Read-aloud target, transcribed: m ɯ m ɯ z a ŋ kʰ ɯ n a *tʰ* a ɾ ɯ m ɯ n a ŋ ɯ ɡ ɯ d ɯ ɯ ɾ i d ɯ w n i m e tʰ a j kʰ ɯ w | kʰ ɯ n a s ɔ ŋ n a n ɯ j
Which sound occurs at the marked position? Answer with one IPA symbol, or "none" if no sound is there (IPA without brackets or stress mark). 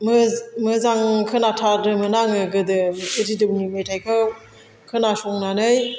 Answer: tʰ